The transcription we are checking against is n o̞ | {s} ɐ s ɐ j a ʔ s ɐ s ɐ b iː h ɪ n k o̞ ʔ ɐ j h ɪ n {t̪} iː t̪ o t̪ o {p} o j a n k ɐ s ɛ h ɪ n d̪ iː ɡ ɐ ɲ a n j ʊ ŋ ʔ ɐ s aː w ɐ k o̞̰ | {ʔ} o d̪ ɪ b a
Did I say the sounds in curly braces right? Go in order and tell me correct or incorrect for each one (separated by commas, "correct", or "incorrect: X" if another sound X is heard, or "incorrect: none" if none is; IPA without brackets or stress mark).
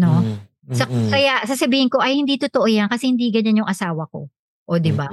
correct, incorrect: d̪, incorrect: ʔ, correct